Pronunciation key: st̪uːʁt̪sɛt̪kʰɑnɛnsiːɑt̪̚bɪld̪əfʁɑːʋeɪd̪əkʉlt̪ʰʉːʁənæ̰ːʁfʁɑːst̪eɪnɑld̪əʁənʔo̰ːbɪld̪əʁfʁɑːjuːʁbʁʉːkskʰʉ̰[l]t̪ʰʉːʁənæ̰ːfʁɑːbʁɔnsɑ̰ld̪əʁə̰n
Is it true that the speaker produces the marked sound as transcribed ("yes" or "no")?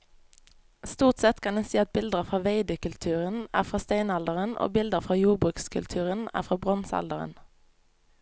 yes